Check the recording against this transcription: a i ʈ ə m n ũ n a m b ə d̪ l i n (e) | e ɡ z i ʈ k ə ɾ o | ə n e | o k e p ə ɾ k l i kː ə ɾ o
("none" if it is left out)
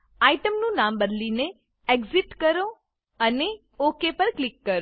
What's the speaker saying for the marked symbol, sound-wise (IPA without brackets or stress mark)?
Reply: e